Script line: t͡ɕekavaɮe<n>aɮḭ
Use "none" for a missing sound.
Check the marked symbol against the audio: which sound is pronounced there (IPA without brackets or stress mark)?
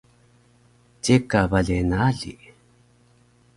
n